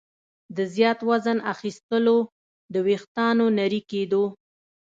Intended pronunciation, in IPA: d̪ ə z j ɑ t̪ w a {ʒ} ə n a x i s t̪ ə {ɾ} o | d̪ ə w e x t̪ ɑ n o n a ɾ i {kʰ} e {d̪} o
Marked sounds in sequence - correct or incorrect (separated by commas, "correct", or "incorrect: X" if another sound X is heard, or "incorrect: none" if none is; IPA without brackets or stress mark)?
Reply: incorrect: z, incorrect: l, incorrect: k, correct